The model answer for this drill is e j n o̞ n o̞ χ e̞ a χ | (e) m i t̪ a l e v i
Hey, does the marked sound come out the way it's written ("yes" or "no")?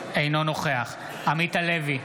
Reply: no